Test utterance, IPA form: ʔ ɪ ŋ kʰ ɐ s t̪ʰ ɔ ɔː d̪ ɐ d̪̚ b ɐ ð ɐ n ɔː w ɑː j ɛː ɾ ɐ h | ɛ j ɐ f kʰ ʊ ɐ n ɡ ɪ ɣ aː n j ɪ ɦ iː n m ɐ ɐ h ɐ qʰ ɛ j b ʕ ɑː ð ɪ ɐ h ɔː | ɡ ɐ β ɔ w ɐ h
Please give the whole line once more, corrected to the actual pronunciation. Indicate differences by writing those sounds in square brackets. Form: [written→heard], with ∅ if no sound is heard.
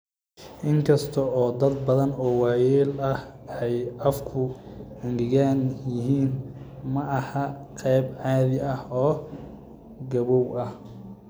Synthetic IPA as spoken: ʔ ɪ ŋ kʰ ɐ s t̪ʰ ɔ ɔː d̪ ɐ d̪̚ b ɐ ð ɐ n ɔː w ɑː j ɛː [ɾ→l] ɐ h | ɛ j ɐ f kʰ ʊ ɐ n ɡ ɪ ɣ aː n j ɪ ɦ iː n m ɐ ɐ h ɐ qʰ ɛ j b ʕ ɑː ð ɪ ɐ h ɔː | ɡ ɐ β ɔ w ɐ h